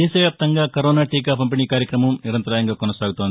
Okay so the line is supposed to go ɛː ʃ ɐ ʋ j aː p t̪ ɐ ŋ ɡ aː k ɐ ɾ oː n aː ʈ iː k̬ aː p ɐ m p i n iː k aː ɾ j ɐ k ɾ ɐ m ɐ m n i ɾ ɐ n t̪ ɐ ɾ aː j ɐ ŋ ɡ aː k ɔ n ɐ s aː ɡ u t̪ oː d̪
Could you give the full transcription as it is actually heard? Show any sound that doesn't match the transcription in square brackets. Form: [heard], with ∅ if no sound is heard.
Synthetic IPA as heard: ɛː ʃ ɐ ʋ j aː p t̪ ɐ ŋ ɡ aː k ɐ ɾ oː n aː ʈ iː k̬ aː p ɐ m p i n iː k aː ɾ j ɐ k ɾ ɐ m ɐ m n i ɾ ɐ n t̪ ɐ ɾ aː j ɐ ŋ ɡ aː k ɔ n ɐ s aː ɡ u t̪ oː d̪